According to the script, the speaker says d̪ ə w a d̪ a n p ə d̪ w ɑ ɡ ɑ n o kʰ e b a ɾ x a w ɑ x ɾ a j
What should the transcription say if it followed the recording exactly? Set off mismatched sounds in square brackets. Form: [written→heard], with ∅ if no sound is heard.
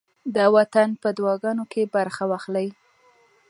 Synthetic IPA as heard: d̪ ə w a [d̪→t̪] a n p ə d̪ w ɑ ɡ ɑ n o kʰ e b a ɾ x a w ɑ x [ɾ→l] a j